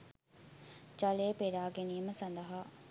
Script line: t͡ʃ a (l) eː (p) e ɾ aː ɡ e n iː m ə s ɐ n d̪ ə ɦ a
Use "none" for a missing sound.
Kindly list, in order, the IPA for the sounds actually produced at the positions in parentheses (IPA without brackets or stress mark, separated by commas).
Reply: l, p